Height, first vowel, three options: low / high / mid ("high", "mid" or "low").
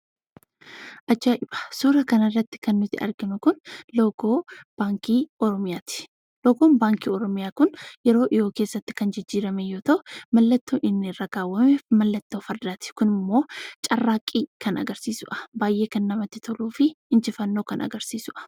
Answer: low